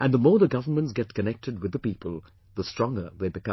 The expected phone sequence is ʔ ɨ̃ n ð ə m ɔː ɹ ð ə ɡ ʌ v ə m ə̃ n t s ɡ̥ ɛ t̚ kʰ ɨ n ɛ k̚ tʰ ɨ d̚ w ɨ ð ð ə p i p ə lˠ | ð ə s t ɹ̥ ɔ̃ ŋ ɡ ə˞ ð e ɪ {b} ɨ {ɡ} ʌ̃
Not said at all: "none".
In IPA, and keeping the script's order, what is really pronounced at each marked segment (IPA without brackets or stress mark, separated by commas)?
b, k